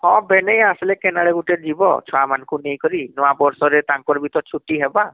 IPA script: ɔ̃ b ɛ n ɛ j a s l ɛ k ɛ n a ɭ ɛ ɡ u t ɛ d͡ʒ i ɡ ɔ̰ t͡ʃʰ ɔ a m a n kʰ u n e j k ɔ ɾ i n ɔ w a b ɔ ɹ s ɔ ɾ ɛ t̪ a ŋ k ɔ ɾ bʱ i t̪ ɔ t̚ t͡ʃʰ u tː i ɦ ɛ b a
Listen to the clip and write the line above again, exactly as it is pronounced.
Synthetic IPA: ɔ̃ b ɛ n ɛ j a s l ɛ k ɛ n a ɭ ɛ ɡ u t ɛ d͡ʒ i b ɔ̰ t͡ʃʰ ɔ a m a n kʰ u n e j k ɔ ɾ i n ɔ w a b ɔ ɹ s ɔ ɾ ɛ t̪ a ŋ k ɔ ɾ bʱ i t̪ ɔ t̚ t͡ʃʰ u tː i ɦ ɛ b a